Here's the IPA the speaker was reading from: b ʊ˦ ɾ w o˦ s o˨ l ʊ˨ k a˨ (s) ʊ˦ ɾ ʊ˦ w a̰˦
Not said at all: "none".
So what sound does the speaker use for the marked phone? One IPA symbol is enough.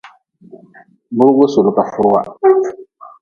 f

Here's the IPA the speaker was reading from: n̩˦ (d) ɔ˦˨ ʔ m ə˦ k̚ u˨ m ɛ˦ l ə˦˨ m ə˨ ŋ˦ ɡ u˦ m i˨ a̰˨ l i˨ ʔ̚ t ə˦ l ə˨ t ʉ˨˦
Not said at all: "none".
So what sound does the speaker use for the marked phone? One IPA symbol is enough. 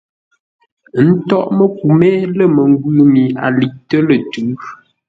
t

